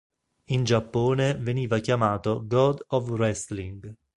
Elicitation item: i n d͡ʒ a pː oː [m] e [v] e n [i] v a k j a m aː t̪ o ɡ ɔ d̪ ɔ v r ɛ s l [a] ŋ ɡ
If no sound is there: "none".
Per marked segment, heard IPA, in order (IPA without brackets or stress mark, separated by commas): n, v, iː, i